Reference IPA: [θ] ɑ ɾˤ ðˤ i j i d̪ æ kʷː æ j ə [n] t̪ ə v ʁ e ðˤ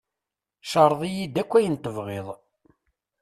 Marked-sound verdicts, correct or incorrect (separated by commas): incorrect, correct